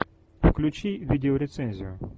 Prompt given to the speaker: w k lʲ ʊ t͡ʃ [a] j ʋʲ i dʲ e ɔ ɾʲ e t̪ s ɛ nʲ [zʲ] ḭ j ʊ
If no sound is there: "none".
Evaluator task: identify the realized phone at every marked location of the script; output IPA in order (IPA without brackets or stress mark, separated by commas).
i, zʲ